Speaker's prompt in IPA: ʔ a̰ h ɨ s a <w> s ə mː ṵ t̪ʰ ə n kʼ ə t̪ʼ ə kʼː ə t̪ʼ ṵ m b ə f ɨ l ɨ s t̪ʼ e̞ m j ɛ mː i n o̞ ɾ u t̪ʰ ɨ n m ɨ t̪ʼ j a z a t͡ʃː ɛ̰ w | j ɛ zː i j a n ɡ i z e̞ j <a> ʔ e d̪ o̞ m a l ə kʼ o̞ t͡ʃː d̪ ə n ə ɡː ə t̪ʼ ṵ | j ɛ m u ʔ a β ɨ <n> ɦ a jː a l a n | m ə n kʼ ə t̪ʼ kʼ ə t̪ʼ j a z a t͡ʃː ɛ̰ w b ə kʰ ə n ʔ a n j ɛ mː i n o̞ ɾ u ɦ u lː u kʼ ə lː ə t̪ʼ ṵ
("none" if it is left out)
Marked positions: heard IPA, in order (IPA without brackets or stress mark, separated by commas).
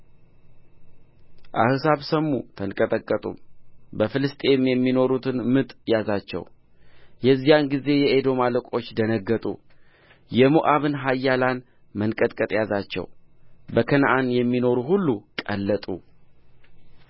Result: β, ɛ, n